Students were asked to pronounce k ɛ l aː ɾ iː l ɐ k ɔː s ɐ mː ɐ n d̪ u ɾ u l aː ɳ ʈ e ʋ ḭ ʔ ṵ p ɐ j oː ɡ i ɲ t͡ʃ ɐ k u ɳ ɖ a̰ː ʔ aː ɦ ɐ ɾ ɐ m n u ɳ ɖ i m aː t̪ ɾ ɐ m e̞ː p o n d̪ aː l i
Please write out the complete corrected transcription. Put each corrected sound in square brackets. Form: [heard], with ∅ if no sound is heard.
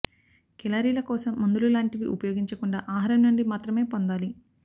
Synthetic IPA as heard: k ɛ l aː ɾ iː l ɐ k ɔː s ɐ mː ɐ n d̪ u [l] u l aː ɳ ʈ [i] ʋ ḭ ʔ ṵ p ɐ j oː ɡ i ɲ t͡ʃ ɐ k u ɳ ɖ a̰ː ʔ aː ɦ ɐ ɾ ɐ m n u ɳ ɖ i m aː t̪ ɾ ɐ m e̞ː p o n d̪ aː l i